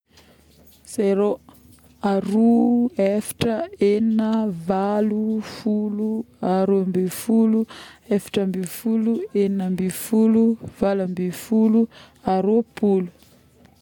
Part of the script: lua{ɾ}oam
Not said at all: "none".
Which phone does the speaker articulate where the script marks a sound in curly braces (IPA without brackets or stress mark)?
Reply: ɾ